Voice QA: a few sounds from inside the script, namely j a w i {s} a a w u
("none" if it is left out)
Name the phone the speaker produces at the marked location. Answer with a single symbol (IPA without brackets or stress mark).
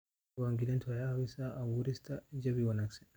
s